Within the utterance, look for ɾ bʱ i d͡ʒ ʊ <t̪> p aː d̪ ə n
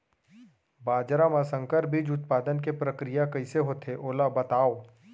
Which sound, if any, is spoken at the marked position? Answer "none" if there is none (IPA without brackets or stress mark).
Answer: t̪